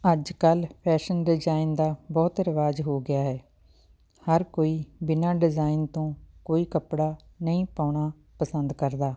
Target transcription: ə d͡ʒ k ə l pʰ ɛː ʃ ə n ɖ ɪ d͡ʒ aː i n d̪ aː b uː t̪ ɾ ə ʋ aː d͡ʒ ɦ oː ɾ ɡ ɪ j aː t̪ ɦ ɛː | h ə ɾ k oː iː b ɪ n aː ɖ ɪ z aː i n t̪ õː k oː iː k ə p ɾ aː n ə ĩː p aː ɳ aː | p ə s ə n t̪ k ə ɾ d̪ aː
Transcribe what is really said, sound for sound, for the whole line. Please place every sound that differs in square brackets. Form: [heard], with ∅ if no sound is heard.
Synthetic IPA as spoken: ə d͡ʒ k ə l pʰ ɛː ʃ ə n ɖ ɪ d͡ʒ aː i n d̪ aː b [ɔː] t̪ ɾ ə ʋ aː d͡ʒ ɦ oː [∅] ɡ ɪ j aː [∅] ɦ ɛː | h ə ɾ k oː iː b ɪ n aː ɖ ɪ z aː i n t̪ õː k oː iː k ə p [ɽ] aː n ə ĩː p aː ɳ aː | p ə s ə n [d̪] k ə ɾ d̪ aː